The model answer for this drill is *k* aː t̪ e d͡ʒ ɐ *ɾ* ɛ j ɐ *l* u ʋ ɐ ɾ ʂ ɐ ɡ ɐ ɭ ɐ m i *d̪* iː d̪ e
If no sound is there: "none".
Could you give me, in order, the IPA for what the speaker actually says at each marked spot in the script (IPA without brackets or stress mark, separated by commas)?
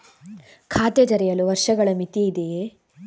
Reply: kʰ, ɾ, l, t̪